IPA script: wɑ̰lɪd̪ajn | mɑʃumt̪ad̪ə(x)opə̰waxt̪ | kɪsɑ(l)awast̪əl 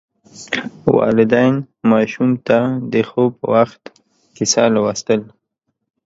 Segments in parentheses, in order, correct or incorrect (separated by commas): correct, correct